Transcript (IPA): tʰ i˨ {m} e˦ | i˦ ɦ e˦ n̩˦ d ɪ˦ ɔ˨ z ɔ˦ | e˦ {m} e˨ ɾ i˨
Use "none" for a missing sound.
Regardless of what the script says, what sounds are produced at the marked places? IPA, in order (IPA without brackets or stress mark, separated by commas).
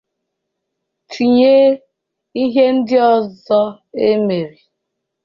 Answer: ɲ, m